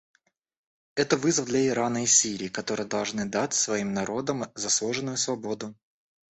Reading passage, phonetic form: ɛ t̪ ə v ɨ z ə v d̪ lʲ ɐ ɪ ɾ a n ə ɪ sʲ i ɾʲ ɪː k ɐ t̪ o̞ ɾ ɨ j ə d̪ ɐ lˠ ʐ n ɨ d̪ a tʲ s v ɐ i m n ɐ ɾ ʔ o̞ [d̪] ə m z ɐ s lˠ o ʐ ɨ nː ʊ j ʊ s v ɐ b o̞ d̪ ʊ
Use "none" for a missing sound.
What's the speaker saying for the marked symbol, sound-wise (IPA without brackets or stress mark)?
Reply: d̪